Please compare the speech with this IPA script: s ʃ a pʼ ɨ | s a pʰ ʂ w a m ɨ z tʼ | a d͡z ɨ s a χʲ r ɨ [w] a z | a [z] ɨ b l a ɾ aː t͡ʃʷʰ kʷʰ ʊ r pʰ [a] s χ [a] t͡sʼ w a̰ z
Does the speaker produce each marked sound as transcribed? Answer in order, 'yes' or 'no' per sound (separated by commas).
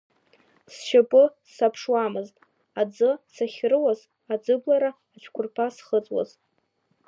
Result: yes, no, yes, no